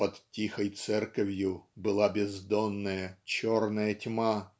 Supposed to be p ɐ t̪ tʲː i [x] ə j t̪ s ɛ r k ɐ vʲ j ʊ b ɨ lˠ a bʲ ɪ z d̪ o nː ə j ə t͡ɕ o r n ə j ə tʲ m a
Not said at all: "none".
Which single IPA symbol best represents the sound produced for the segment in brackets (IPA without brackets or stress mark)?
x